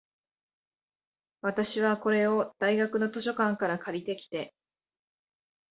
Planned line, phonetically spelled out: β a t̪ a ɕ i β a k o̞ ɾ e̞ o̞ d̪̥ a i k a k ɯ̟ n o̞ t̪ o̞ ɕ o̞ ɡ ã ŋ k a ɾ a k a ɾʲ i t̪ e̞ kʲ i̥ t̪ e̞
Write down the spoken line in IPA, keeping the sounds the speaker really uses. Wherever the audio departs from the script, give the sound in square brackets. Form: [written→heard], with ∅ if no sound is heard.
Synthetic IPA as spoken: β a t̪ a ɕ i β a k o̞ ɾ e̞ o̞ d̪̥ a i [k→ɡ] a k ɯ̟ n o̞ t̪ o̞ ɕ o̞ [ɡ→k] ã ŋ k a ɾ a k a ɾʲ i t̪ e̞ kʲ i̥ t̪ e̞